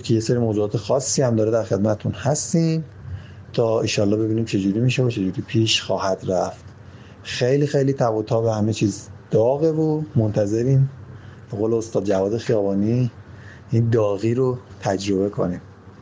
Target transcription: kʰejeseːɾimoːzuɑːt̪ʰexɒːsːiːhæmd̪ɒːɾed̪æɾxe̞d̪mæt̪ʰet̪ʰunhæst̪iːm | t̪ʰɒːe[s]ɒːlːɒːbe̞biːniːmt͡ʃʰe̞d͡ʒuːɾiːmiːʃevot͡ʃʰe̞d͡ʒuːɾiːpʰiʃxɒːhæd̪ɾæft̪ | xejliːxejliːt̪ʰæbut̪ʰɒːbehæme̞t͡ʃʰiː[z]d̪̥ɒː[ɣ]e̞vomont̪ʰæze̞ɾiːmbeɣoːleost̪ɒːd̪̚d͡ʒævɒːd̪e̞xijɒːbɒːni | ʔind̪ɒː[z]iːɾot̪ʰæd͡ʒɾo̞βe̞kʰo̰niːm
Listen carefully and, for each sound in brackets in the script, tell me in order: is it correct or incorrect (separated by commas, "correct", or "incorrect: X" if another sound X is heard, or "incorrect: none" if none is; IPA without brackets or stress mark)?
incorrect: ʃ, correct, correct, incorrect: ɣ